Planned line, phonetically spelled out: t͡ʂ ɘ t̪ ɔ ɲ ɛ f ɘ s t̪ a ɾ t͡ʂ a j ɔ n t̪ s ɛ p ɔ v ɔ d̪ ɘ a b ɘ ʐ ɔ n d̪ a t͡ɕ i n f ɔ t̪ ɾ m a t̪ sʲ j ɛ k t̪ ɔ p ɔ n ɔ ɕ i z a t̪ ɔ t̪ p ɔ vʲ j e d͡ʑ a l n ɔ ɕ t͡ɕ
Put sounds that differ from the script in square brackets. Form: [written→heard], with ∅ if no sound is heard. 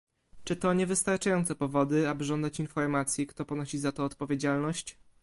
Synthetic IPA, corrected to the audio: t͡ʂ ɘ t̪ ɔ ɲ ɛ [f→v] ɘ s t̪ a ɾ t͡ʂ a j ɔ n t̪ s ɛ p ɔ v ɔ d̪ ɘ a b ɘ ʐ ɔ n d̪ a t͡ɕ i n f ɔ [t̪→∅] ɾ m a t̪ sʲ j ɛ k t̪ ɔ p ɔ n ɔ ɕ i z a t̪ [ɔ→ɔː] t̪ p ɔ vʲ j e d͡ʑ a l n ɔ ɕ t͡ɕ